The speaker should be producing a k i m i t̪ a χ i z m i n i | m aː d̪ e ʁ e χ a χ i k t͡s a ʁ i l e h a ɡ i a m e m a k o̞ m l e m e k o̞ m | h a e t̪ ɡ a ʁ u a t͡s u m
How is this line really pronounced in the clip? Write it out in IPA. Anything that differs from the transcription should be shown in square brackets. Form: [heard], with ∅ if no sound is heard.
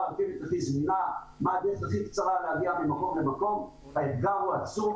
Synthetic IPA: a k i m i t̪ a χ i z m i n [a] | m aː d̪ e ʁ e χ a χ i k t͡s a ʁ [a] l e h a ɡ i a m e m a k o̞ m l e m [a] k o̞ m | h a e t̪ ɡ a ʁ u a t͡s u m